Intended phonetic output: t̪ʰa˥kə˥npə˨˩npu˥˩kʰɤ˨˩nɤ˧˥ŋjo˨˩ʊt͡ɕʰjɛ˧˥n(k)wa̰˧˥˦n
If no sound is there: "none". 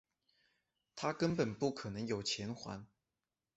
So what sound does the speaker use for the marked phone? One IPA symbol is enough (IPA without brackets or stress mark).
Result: x